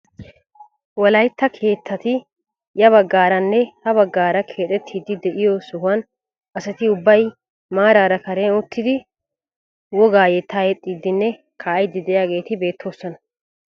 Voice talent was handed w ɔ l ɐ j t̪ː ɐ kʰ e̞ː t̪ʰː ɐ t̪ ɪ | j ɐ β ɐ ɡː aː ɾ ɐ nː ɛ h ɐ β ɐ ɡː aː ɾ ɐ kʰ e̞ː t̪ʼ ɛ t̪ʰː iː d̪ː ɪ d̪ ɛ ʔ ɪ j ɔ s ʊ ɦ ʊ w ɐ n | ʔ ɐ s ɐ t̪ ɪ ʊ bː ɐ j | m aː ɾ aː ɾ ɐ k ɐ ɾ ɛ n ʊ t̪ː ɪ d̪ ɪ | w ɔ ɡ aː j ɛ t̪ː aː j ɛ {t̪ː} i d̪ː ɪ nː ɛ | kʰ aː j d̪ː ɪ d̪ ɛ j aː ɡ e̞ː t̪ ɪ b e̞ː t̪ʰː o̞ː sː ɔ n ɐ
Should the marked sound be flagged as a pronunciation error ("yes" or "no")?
yes